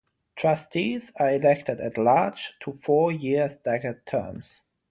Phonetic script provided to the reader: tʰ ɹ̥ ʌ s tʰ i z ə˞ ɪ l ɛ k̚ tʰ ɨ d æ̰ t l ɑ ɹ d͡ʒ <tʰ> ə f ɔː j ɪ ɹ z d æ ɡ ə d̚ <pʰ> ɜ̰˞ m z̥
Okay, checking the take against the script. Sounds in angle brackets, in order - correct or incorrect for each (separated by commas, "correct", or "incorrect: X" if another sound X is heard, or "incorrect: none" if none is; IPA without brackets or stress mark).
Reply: correct, incorrect: tʰ